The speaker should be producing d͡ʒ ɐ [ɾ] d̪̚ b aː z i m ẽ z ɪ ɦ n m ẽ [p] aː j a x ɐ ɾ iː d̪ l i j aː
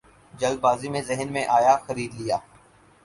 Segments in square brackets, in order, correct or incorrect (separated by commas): incorrect, incorrect